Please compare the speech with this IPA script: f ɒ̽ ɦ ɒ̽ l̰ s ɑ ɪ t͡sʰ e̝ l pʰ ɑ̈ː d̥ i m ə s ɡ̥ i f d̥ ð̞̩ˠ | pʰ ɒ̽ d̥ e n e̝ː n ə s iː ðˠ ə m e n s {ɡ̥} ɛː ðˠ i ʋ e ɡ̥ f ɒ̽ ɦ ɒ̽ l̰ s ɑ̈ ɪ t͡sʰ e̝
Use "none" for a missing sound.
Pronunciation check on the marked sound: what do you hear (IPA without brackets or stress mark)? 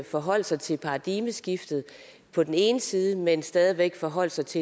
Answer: d̥